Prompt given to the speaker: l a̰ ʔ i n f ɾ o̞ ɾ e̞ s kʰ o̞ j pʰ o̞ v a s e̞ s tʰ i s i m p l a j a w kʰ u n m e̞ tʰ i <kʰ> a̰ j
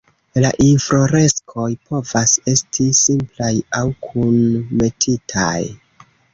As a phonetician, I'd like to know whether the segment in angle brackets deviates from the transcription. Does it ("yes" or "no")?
yes